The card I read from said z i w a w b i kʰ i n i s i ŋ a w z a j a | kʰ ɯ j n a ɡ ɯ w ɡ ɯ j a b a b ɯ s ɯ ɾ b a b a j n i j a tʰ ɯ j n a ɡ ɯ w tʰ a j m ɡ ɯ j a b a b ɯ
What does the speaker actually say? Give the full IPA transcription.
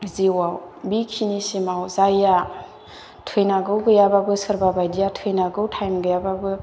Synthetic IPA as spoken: z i w a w b i kʰ i n i s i m a w z a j a | tʰ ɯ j n a ɡ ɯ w ɡ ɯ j a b a b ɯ s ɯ ɾ b a b a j d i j a tʰ ɯ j n a ɡ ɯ w tʰ a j m ɡ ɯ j a b a b ɯ